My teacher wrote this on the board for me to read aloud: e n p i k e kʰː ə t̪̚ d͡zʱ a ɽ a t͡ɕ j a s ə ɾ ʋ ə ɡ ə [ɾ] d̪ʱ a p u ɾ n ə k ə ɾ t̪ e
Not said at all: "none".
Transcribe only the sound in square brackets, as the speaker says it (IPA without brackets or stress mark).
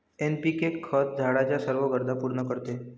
ɾ